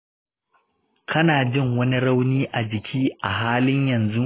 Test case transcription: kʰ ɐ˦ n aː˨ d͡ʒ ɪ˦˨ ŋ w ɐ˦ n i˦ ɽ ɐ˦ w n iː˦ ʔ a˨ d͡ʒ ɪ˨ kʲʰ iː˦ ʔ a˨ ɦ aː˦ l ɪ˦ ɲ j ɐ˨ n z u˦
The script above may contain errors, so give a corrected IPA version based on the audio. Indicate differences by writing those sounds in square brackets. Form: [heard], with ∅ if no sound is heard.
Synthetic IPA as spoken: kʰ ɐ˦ n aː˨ d͡ʒ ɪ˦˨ ŋ w ɐ˦ n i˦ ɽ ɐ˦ w n iː˦ ʔ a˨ d͡ʒ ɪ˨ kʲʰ iː˦ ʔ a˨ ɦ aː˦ l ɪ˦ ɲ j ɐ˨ n z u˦